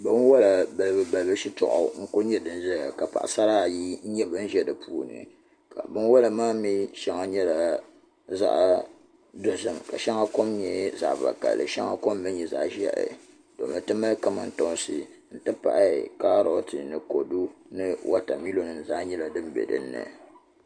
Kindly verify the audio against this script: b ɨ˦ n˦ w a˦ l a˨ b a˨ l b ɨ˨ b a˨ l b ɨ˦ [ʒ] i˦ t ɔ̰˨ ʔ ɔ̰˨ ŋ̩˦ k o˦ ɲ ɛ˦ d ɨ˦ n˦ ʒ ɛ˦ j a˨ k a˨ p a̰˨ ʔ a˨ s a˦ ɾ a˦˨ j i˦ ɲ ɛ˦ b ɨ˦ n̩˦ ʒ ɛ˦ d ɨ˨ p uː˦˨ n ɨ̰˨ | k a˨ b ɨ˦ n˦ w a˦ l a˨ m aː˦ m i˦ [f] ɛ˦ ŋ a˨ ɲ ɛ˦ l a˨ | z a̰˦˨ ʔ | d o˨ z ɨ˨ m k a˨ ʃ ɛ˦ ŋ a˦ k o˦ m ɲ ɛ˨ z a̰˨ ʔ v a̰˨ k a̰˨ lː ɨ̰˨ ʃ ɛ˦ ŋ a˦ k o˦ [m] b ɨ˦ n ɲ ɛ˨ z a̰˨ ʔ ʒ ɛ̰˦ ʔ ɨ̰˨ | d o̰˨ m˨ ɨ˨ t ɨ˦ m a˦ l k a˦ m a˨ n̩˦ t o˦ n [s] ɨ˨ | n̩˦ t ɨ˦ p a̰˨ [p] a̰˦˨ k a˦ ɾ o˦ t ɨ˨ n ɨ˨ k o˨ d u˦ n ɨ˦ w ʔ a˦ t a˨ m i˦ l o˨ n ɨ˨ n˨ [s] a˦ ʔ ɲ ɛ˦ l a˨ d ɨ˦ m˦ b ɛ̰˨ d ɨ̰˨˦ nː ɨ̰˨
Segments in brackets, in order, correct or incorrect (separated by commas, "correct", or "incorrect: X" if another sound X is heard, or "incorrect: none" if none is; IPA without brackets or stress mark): incorrect: ʃ, incorrect: ʃ, correct, correct, incorrect: ʔ, incorrect: z